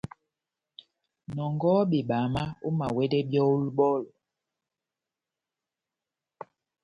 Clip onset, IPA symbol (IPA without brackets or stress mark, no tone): n